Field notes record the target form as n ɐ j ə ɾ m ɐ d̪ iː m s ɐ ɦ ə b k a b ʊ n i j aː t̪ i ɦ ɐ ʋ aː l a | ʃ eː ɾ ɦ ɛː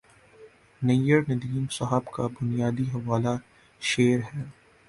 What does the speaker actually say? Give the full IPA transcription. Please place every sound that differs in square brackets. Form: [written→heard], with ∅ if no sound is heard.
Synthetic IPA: n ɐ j ə ɾ [m→n] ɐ d̪ iː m s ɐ ɦ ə b k a b ʊ n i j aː [t̪→d̪] i ɦ ɐ ʋ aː l a | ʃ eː ɾ ɦ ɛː